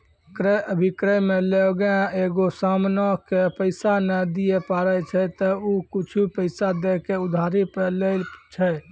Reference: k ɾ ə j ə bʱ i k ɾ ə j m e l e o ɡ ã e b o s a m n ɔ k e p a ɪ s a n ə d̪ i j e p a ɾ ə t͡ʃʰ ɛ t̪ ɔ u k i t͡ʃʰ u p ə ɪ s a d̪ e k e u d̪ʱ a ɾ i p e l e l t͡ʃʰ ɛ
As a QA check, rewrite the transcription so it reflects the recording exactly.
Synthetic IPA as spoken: k ɾ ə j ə bʱ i k ɾ ə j m e l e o ɡ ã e ɡ o s a m n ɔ k e p ə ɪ s a n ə d̪ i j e p a ɾ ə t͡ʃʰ ɛ t̪ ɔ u k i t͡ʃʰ u p ə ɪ s a d̪ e k e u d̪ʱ a ɾ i p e l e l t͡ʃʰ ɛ